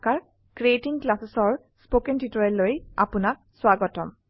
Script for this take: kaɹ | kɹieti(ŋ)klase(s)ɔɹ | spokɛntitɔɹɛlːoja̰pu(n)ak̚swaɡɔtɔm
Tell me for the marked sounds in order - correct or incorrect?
correct, correct, correct

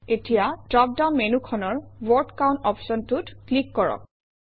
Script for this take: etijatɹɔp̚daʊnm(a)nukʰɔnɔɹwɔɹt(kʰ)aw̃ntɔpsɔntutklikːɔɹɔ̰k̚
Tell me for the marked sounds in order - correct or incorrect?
incorrect: e, incorrect: k

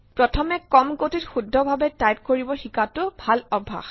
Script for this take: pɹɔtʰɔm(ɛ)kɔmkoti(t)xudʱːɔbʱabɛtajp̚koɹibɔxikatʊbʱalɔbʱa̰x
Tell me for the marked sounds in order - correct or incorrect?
correct, correct

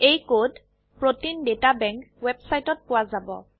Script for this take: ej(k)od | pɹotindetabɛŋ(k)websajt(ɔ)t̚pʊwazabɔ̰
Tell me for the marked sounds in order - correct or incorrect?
correct, correct, correct

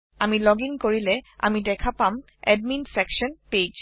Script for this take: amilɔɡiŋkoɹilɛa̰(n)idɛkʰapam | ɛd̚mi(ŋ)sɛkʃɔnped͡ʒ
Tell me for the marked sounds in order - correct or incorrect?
incorrect: m, incorrect: n

